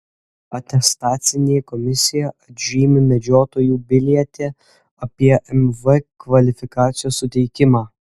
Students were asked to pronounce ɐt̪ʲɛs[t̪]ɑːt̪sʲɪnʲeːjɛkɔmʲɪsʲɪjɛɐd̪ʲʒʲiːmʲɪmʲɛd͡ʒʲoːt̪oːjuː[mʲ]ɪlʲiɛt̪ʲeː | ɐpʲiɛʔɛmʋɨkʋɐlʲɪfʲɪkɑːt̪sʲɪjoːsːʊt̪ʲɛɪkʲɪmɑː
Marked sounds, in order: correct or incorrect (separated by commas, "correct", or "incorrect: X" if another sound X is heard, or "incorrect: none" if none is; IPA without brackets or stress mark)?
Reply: correct, incorrect: bʲ